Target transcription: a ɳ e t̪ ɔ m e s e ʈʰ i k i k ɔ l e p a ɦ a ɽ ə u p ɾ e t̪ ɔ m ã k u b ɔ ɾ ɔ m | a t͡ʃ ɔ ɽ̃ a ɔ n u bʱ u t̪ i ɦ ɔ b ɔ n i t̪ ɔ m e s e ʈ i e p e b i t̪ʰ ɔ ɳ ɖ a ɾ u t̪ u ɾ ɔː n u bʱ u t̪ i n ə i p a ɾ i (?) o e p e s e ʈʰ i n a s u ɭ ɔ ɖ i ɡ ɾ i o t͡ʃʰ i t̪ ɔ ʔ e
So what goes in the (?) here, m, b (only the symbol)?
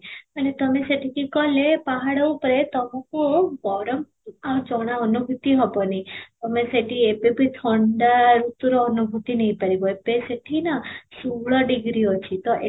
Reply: b